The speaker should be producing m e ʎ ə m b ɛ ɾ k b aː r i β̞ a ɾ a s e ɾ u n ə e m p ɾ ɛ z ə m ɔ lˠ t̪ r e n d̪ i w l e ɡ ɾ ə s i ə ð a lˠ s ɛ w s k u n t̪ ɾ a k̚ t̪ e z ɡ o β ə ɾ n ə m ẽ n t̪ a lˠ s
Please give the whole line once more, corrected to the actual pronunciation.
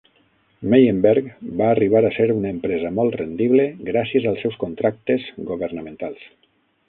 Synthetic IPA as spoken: m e j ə m b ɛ ɾ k b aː r i β̞ a ɾ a s e ɾ u n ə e m p ɾ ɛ z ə m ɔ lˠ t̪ r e n d̪ i β l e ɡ ɾ a s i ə z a lˠ s ɛ w s k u n t̪ ɾ a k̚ t̪ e z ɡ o β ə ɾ n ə m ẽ n t̪ a lˠ s

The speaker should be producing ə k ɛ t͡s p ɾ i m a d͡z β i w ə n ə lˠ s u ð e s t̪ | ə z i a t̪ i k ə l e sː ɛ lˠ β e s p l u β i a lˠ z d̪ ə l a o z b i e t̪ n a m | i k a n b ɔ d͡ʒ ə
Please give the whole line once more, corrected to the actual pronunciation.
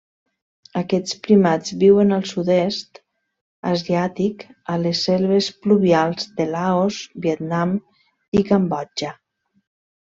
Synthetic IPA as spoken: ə k ɛ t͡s p ɾ i m a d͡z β i w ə n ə lˠ s u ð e s t̪ | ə z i a t̪ i k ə l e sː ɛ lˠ β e s p l u β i a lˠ z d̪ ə l a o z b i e t̪ n a m | i k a m b ɔ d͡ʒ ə

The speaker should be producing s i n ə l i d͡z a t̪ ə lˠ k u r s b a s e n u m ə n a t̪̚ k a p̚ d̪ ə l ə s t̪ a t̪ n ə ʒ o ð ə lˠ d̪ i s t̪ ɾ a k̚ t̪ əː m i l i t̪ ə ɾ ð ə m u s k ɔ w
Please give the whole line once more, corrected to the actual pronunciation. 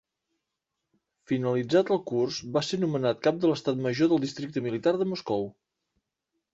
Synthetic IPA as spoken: f i n ə l i d͡z a t̪ ə lˠ k u r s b a s e n u m ə n a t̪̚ k a p̚ d̪ ə l ə s t̪ a t̪ m ə ʒ o ð ə lˠ d̪ i s t̪ ɾ i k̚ t̪ ə m i l i t̪ a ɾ ð ə m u s k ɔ w

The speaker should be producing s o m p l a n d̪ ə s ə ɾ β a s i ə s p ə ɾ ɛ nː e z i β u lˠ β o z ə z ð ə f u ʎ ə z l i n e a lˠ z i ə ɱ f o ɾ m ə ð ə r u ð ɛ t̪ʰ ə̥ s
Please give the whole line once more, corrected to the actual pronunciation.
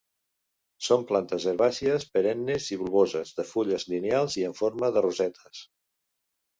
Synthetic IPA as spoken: s o m p l a n t̪ ə z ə ɾ β a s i ə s p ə ɾ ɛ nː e z i β u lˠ β o z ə z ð ə f u ʎ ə z l i n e a lˠ z i ə ɱ f o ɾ m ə ð ə r u z ɛ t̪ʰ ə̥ s

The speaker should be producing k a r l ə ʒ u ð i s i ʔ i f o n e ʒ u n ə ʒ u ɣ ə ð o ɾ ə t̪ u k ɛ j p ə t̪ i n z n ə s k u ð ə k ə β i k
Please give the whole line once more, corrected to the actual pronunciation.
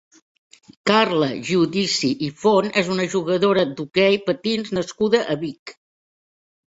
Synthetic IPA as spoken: k a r l ə ʒ u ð i s i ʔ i f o n e z u n ə ʒ u ɣ ə ð o ɾ ə d̪ u k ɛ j p ə t̪ i n z n ə s k u ð ə ʔ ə β i k

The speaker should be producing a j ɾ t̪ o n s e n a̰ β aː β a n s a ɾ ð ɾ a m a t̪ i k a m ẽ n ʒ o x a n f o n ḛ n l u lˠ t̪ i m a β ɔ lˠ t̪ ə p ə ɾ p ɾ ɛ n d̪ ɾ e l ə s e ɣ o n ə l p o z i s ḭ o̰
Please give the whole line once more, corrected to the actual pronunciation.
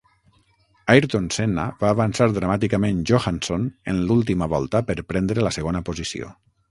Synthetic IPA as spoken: a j ɾ t̪ o n s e n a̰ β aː β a n s a ɾ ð ɾ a m a t̪ i k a m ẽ n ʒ o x a n s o n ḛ n l u lˠ t̪ i m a β ɔ lˠ t̪ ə p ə ɾ p ɾ ɛ n d̪ ɾ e l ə s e ɣ o n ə p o z i s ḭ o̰

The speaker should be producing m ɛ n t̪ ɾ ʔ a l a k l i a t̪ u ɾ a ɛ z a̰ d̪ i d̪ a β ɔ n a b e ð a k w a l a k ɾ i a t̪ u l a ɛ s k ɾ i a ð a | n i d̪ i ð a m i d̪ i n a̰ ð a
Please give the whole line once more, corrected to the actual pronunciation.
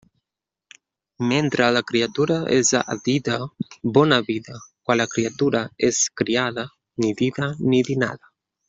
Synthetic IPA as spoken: m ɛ n t̪ ɾ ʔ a l a k ɾ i a t̪ u ɾ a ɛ z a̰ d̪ i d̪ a b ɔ n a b i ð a k w a l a k ɾ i a t̪ u ɾ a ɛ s k ɾ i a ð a | n i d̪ i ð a n i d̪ i n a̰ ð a

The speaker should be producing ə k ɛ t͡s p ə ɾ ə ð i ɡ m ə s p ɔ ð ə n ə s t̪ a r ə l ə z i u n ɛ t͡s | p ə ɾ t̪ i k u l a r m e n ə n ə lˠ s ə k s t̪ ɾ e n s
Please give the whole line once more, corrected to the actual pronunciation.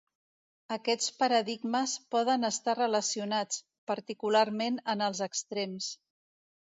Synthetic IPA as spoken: ə k ɛ t͡s p ə ɾ ə ð i ɡ m ə s p ɔ ð ə n ə s t̪ a r ə l ə s i u n a t͡s | p ə ɾ t̪ i k u l a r m e n ə n ə lˠ z ə k s t̪ ɾ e m s

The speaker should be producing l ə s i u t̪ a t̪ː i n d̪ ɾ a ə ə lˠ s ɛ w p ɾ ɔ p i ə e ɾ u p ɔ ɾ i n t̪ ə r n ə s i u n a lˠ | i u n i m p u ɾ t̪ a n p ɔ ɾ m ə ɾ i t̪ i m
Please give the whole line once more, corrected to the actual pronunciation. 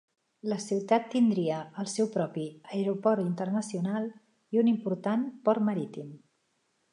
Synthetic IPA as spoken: l ə s i w t̪ a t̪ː i n d̪ ɾ i ə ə lˠ s ɛ w p ɾ ɔ p i ə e ɾ u p ɔ ɾ i n t̪ ə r n ə s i u n a lˠ | i u n i m p u ɾ t̪ a n p ɔ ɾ m ə ɾ i t̪ i m

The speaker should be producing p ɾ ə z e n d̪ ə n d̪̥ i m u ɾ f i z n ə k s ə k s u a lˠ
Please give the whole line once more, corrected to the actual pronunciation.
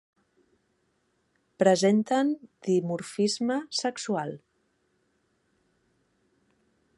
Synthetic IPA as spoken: p ɾ ə z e n t̪ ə n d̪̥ i m u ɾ f i z m ə s ə k s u a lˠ

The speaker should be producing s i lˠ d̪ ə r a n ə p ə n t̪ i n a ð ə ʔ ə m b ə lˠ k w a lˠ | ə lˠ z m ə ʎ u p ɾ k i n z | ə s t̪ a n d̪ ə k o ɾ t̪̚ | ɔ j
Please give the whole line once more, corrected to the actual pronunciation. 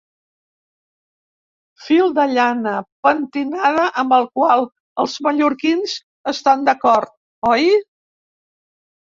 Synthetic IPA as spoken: f i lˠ d̪ ə ʎ a n ə p ə n t̪ i n a ð ə ʔ ə m b ə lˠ k w a lˠ | ə lˠ z m ə ʎ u ɾ k i n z | ə s t̪ a n d̪ ə k ɔ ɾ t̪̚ | ɔ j

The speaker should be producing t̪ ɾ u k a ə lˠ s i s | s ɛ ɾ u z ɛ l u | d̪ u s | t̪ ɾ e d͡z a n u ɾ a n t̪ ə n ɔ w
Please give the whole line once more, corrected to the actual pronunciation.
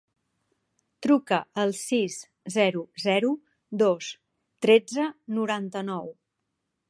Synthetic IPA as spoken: t̪ ɾ u k ə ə lˠ s i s | z ɛ ɾ u z ɛ ɾ u | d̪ o s | t̪ ɾ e d͡z ə n u ɾ a n t̪ ə n ɔ w

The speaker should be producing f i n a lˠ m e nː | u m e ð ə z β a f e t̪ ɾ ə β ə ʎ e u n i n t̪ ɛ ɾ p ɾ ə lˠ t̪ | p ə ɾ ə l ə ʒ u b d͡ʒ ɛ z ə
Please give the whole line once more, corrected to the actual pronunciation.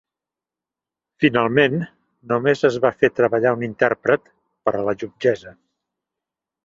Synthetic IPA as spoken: f i n a lˠ m e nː | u m e z ə z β a f e t̪ ɾ ə β ə ʎ a u n i n t̪ ɛ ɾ p ɾ ə t̪ | p ə ɾ ə l ə ʒ u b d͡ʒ ɛ z ə

